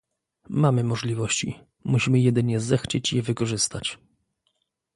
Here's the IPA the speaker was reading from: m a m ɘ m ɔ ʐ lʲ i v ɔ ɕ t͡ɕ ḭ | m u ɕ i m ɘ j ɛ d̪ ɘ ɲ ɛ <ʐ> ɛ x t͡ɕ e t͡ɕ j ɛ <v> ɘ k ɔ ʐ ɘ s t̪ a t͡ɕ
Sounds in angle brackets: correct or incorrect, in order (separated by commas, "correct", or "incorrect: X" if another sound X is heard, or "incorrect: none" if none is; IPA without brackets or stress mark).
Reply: incorrect: z, correct